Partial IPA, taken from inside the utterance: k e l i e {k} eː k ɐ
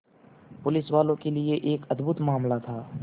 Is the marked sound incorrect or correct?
incorrect